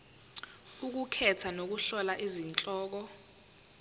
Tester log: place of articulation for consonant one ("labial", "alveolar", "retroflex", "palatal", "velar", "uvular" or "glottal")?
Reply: velar